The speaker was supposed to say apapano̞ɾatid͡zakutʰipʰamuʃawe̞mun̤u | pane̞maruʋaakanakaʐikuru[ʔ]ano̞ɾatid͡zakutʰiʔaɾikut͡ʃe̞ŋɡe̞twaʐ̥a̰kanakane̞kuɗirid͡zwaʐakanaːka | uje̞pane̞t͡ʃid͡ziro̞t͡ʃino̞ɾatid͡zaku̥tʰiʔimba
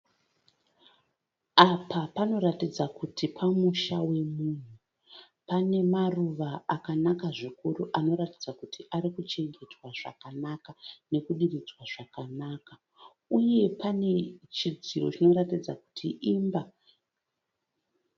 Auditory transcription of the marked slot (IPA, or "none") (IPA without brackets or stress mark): ʔ